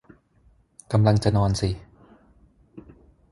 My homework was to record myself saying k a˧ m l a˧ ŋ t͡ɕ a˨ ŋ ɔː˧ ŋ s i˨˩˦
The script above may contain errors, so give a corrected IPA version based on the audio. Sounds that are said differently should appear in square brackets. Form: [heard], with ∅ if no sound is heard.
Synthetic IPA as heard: k a˧ m l a˧ ŋ t͡ɕ a˨ [n] ɔː˧ [n] s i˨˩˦